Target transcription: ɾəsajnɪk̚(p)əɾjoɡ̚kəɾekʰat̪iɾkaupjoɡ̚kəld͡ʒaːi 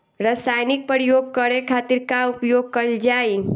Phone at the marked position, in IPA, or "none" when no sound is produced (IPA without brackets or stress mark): p